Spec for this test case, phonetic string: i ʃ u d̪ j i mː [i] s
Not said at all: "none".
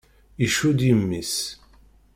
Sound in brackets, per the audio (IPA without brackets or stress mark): i